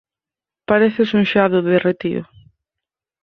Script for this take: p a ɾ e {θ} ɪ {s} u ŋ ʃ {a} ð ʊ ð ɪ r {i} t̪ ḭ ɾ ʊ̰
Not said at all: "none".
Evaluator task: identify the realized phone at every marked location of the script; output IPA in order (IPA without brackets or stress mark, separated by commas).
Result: θ, s, a, e